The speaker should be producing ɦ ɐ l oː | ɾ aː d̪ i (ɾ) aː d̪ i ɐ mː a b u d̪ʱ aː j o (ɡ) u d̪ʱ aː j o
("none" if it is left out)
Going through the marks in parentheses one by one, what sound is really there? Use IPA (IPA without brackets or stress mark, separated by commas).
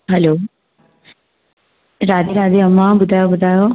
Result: ɾ, b